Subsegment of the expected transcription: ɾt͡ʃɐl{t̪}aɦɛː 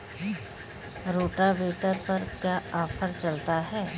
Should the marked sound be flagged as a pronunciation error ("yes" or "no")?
no